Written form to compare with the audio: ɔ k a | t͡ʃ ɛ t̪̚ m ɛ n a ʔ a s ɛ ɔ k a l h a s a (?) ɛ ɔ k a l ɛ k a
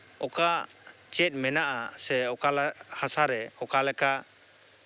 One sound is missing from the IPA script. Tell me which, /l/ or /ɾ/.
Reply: ɾ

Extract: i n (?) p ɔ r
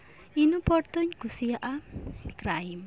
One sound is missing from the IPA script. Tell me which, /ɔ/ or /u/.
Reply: u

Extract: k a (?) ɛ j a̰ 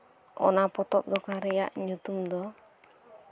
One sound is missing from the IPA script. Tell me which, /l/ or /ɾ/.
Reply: ɾ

